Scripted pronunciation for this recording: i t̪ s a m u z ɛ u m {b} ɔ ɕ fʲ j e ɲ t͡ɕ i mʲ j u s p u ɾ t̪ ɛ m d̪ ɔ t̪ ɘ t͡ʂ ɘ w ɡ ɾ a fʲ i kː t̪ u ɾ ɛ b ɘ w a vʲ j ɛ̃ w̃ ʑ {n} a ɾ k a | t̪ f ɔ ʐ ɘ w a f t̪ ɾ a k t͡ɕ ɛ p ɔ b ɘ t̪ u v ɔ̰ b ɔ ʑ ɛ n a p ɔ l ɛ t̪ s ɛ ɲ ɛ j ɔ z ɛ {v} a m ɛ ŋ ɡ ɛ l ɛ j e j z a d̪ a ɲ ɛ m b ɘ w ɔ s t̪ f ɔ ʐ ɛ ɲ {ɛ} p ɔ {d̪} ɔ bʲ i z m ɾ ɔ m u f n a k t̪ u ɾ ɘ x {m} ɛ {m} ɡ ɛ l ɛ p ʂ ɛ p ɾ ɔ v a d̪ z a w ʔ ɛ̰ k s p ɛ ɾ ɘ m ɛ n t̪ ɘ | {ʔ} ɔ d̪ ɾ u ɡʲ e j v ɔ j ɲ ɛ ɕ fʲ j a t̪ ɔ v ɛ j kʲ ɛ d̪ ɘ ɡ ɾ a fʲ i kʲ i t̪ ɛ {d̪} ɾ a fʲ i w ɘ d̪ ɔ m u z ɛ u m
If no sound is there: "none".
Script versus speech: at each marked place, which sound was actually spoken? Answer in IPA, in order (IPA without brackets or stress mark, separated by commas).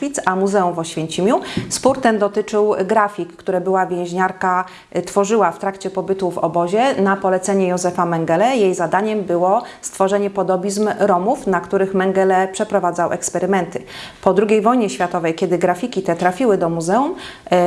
v, ɲ, f, ɛ, d̪, m, ŋ, p, t̪